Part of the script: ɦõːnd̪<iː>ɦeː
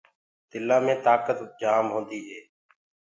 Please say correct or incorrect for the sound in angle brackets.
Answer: correct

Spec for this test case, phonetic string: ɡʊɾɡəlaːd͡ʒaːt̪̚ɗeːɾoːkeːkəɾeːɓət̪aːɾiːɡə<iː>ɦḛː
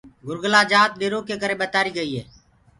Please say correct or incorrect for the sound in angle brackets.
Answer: correct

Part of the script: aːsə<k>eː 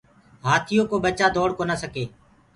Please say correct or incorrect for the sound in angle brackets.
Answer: correct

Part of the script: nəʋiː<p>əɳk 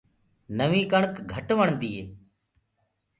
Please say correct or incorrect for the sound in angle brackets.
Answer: incorrect: k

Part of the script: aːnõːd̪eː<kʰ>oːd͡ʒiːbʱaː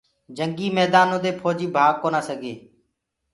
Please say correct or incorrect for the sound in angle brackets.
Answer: incorrect: pʰ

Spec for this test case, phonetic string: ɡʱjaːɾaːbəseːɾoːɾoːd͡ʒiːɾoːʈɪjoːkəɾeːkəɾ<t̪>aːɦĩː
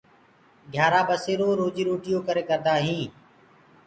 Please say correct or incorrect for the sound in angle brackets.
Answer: incorrect: d̪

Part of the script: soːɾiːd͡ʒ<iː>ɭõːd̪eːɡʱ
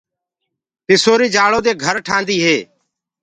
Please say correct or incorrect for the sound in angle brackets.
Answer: incorrect: aː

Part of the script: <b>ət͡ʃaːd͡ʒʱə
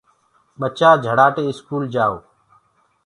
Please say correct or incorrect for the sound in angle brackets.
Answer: incorrect: ɓ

